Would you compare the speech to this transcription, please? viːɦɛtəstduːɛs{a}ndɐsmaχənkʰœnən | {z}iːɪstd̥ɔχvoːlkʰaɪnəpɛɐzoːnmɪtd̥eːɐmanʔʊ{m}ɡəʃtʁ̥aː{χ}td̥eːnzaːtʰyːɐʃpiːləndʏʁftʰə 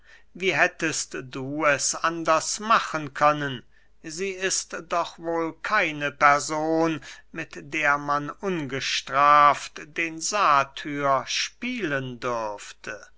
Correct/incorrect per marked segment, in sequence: correct, correct, incorrect: n, incorrect: f

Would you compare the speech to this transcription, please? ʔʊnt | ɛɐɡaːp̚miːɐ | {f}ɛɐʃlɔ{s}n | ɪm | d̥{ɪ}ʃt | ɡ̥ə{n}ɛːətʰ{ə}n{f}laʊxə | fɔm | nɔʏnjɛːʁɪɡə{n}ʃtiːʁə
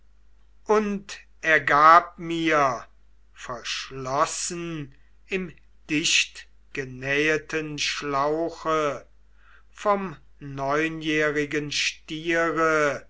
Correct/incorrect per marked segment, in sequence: correct, correct, correct, correct, correct, incorrect: ʃ, correct

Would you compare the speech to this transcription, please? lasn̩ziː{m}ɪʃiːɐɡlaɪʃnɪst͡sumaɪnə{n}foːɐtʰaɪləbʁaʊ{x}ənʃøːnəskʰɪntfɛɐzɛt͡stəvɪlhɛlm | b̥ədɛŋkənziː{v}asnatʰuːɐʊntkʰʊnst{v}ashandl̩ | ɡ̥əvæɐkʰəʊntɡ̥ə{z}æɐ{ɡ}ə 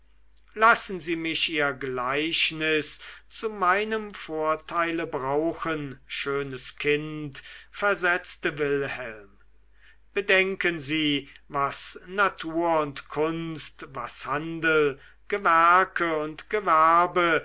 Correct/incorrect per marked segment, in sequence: correct, incorrect: m, correct, correct, correct, incorrect: v, incorrect: b

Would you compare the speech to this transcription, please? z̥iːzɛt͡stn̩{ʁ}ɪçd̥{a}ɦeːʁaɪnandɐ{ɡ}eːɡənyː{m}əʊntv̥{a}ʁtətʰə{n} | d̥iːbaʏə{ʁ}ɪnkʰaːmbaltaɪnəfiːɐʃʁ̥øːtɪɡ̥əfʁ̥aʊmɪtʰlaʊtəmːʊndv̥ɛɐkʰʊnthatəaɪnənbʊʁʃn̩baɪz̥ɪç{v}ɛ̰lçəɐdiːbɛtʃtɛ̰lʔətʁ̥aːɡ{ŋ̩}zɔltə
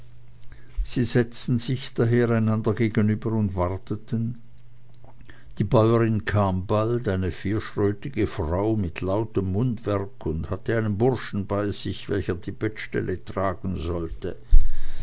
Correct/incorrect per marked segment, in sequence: incorrect: z, correct, correct, incorrect: b, correct, correct, correct, correct, incorrect: n̩

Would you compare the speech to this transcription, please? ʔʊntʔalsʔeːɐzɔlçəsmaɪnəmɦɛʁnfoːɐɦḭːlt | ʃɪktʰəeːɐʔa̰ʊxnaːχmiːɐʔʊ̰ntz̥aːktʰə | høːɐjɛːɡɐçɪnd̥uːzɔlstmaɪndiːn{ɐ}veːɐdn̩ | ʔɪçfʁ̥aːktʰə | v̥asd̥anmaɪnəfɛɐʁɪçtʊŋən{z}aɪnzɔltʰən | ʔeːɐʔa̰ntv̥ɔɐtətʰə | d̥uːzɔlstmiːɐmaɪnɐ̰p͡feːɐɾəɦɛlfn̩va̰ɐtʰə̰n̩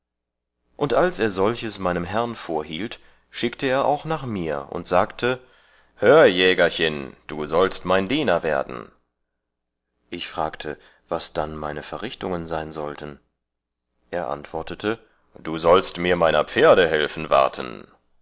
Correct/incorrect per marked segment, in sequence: correct, correct

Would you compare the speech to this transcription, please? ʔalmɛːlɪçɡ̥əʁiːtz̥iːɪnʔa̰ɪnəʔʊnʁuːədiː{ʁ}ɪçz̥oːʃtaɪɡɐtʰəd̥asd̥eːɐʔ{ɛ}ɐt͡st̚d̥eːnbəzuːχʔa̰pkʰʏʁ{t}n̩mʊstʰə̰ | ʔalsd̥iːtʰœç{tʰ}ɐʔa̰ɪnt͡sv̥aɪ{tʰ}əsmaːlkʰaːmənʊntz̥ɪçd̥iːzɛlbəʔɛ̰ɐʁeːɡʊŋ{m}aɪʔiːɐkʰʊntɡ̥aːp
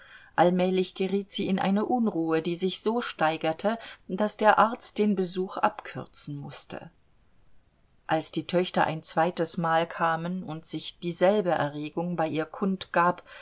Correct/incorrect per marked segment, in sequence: incorrect: z, incorrect: a, incorrect: t͡s, incorrect: t, incorrect: t, incorrect: b

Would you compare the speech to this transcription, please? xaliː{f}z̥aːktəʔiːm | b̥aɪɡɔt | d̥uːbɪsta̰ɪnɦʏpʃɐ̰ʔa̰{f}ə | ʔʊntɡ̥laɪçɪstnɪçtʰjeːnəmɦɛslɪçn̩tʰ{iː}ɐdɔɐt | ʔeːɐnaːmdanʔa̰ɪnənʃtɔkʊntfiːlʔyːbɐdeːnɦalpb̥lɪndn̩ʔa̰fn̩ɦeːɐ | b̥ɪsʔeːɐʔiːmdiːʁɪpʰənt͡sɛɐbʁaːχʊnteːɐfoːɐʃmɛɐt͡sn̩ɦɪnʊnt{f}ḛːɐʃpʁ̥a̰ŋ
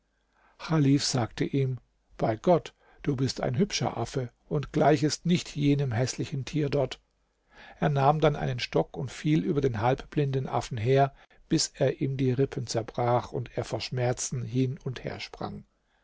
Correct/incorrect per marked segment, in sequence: correct, correct, correct, incorrect: h

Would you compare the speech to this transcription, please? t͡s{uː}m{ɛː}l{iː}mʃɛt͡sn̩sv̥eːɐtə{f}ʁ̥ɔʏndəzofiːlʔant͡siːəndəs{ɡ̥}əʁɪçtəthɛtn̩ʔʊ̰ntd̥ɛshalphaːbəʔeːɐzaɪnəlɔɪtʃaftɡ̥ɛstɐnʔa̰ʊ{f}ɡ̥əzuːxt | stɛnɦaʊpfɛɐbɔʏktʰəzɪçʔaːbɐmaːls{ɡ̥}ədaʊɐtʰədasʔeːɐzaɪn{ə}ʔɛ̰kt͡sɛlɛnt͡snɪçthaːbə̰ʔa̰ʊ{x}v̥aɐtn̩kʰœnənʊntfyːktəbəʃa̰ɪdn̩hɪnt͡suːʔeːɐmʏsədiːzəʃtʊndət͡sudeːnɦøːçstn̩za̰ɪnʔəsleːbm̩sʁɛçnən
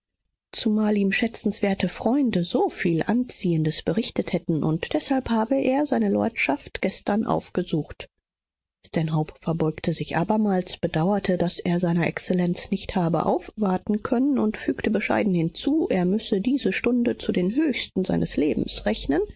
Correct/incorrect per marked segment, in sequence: incorrect: u, incorrect: aː, correct, correct, incorrect: b̥, correct, incorrect: b̥, incorrect: ɐ, incorrect: f

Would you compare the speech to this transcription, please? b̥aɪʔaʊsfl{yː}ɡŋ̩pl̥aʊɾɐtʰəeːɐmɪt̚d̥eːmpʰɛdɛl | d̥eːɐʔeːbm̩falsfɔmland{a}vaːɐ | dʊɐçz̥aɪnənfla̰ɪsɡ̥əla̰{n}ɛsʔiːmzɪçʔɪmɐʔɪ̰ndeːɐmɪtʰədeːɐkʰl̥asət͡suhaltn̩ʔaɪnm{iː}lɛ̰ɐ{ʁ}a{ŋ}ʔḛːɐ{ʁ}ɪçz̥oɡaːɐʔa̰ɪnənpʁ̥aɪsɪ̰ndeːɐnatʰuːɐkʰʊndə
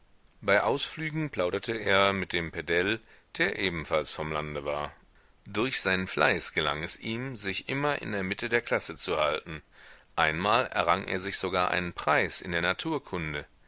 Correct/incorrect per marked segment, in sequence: correct, incorrect: ə, incorrect: ŋ, incorrect: aː, correct, correct, incorrect: z

